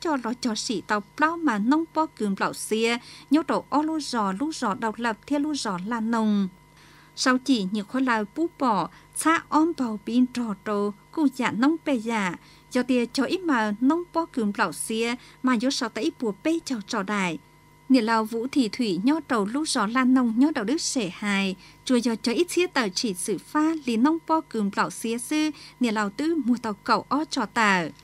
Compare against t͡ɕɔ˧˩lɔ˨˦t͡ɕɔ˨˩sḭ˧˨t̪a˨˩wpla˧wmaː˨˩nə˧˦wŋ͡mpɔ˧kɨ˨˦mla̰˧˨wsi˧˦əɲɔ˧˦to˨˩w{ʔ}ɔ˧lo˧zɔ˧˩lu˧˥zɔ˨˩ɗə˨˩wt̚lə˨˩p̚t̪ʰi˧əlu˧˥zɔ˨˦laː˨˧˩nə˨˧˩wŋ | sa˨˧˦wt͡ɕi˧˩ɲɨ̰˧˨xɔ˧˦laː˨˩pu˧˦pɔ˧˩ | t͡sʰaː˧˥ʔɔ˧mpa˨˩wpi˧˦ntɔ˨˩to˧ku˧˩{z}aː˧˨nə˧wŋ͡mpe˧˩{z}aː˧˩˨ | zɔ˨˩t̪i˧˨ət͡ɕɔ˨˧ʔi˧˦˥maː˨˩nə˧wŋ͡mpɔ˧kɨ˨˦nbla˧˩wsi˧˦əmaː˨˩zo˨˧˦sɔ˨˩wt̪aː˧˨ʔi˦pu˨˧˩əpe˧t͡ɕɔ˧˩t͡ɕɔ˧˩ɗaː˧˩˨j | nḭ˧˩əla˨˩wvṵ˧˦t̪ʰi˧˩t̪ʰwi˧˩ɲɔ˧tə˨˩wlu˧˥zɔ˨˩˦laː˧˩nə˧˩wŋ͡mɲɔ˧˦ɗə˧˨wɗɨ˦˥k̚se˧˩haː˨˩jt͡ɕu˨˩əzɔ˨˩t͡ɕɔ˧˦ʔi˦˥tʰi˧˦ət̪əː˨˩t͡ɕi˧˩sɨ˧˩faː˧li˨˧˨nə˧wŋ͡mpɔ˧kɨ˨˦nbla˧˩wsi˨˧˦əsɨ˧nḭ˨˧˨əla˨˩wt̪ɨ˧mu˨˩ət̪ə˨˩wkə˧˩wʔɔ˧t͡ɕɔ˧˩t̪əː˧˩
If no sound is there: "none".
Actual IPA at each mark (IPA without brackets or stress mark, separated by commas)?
ʔ, z, z